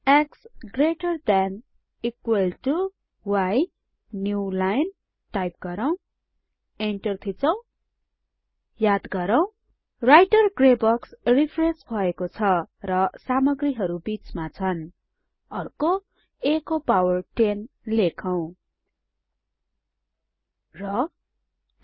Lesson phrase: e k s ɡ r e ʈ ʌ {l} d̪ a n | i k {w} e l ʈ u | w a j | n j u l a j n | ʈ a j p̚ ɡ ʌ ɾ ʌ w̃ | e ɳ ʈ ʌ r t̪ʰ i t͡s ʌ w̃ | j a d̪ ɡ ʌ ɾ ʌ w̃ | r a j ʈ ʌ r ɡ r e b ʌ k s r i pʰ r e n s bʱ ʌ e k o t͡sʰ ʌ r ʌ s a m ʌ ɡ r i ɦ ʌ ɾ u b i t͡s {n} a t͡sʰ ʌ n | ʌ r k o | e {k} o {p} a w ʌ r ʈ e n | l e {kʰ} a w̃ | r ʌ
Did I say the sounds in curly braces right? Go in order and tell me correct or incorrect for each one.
incorrect, correct, incorrect, correct, correct, correct

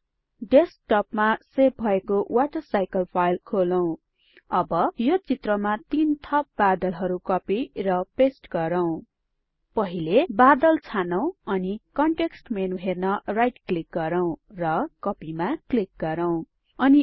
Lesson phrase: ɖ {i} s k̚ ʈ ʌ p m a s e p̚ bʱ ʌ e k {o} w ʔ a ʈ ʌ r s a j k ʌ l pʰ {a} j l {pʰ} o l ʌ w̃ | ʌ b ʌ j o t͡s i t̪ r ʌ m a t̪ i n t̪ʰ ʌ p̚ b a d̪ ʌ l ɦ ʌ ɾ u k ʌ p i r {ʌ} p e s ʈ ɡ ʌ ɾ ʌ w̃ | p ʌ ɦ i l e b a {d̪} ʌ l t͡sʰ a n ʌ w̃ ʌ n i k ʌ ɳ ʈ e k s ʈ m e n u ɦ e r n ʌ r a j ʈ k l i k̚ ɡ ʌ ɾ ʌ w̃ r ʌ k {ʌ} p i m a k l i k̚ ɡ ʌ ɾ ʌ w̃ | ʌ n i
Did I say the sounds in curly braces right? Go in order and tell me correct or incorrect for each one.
incorrect, correct, correct, incorrect, correct, correct, correct

